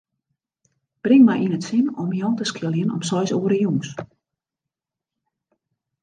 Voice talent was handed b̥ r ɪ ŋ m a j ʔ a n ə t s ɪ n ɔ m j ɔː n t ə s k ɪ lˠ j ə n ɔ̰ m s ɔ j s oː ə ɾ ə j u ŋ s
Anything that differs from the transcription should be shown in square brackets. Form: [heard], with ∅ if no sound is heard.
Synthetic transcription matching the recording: b̥ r ɪ ŋ m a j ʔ [i] n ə t s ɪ n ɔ m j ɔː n t ə s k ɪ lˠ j ə n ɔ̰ m s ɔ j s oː ə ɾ ə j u ŋ s